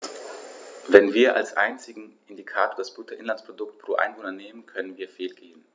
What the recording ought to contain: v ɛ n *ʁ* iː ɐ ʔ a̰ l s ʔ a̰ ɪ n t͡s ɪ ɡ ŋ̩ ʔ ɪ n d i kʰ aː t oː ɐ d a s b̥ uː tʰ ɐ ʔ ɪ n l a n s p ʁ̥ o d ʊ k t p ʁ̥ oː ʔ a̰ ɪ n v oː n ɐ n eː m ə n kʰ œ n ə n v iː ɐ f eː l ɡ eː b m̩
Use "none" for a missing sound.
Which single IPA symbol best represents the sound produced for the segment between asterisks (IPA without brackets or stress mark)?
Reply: v